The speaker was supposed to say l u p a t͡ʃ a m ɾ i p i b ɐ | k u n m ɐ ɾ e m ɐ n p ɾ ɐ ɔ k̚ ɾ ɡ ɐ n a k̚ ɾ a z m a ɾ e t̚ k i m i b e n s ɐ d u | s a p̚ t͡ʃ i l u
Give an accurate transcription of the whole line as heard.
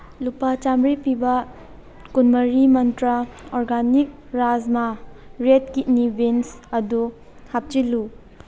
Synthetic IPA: l u p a t͡ʃ a m ɾ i p i b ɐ | k u n m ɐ ɾ i m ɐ n t ɾ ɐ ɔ ɾ ɡ a n i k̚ ɾ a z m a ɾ e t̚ k i n i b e n s ɐ d u | h a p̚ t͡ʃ i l u